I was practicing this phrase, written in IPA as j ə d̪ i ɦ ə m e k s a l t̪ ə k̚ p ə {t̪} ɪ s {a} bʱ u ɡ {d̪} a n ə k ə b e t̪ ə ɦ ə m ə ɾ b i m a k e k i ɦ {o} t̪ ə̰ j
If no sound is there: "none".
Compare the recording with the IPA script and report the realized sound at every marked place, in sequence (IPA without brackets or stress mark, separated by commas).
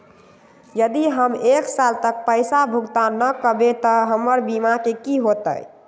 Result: none, a, t̪, o